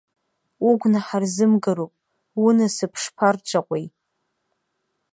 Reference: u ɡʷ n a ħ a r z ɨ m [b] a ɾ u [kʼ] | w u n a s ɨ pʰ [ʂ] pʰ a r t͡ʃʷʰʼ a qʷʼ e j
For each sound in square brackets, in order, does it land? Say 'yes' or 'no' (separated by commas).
no, no, yes